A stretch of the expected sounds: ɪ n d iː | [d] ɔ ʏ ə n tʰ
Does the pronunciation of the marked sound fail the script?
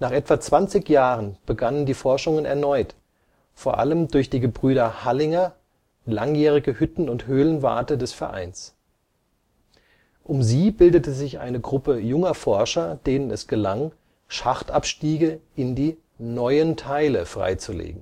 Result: yes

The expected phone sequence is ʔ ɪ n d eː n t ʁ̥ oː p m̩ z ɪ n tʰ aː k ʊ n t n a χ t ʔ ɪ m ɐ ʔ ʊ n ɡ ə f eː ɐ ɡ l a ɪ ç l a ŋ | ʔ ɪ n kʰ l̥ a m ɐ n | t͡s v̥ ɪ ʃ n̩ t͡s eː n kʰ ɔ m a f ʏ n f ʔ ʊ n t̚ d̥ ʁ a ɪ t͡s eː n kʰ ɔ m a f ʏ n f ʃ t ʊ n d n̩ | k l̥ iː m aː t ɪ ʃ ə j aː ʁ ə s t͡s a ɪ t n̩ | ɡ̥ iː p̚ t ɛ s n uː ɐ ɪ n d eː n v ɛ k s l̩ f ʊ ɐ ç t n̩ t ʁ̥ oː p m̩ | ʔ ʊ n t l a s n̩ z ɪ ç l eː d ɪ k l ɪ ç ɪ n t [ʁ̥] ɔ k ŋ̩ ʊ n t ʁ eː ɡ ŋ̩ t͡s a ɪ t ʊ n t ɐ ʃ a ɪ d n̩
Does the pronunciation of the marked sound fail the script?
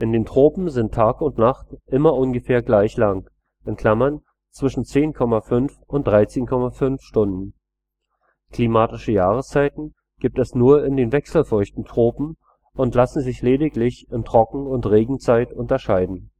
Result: no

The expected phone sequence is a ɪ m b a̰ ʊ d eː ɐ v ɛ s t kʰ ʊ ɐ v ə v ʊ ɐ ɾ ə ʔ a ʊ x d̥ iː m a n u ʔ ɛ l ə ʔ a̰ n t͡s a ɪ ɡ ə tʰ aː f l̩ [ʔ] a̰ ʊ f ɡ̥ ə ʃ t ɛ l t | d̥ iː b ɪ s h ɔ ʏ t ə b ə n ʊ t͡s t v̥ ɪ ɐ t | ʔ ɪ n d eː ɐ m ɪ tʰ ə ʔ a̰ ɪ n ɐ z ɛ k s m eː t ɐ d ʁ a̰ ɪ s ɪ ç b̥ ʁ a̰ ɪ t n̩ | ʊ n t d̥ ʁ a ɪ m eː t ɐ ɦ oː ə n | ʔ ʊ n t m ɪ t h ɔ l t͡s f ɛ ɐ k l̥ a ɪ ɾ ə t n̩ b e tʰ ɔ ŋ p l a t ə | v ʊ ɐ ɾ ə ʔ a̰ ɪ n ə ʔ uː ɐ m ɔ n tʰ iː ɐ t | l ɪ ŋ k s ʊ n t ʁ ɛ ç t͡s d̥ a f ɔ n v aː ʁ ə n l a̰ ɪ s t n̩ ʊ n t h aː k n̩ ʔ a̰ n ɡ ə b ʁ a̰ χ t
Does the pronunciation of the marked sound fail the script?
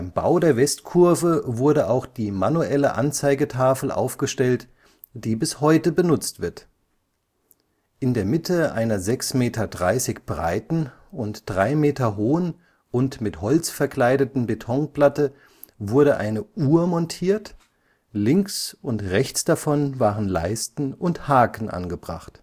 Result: no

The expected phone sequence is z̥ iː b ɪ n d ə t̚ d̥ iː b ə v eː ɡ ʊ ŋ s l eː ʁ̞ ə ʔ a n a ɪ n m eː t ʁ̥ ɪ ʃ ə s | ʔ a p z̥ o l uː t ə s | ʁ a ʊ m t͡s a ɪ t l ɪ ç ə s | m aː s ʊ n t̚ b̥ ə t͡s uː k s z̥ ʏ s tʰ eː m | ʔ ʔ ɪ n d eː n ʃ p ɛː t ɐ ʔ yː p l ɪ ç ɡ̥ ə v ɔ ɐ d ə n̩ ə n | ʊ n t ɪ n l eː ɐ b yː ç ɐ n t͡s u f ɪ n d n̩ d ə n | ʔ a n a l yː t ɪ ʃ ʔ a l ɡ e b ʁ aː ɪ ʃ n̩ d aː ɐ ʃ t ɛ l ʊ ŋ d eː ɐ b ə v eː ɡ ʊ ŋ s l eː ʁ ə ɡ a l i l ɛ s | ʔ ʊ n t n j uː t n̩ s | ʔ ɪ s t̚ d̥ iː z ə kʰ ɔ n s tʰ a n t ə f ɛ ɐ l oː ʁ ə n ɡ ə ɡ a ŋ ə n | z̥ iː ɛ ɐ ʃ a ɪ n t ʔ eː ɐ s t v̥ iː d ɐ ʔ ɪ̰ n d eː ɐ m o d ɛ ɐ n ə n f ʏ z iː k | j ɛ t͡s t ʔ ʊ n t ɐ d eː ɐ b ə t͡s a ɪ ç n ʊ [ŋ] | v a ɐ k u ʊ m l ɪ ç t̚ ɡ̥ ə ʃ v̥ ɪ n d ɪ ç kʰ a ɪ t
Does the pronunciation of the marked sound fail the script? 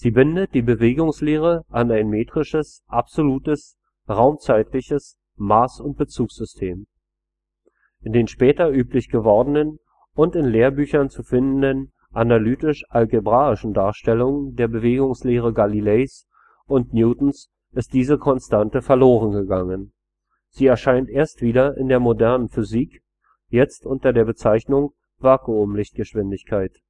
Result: no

